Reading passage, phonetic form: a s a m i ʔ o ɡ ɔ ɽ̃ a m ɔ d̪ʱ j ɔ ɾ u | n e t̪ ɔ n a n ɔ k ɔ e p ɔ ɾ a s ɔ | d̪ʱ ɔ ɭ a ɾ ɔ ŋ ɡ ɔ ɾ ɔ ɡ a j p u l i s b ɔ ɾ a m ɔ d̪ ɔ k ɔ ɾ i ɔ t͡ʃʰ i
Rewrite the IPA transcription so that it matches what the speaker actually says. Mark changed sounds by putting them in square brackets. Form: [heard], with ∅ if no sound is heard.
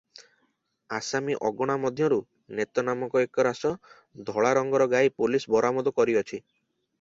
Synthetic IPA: a s a m i ʔ [ɔ] ɡ ɔ ɽ̃ a m ɔ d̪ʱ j ɔ ɾ u | n e t̪ ɔ n a [m] ɔ k ɔ e [k] ɔ ɾ a s ɔ | d̪ʱ ɔ ɭ a ɾ ɔ ŋ ɡ ɔ ɾ ɔ ɡ a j p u l i s b ɔ ɾ a m ɔ d̪ ɔ k ɔ ɾ i ɔ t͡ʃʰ i